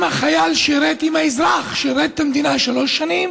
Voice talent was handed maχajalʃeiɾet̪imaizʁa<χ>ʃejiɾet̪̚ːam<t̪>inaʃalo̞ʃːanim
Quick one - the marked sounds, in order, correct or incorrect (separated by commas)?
correct, incorrect